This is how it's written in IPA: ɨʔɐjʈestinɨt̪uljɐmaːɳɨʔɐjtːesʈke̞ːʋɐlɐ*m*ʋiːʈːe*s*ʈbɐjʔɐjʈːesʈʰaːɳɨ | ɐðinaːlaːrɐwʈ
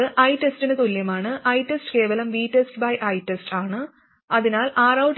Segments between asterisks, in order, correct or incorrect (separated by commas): correct, correct